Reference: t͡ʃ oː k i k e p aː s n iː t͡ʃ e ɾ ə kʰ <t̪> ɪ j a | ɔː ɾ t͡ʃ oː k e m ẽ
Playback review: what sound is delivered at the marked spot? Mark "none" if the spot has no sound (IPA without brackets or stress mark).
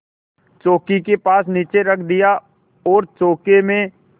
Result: d̪